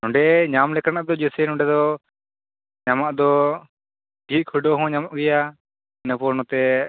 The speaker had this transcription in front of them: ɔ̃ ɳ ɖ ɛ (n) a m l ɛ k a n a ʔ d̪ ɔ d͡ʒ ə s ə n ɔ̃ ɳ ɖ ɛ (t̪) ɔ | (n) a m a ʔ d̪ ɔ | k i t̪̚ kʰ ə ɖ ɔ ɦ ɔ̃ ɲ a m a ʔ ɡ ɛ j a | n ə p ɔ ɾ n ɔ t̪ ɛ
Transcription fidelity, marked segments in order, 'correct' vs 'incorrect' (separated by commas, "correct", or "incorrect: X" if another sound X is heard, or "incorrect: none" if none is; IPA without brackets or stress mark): incorrect: ɲ, incorrect: d̪, incorrect: ɲ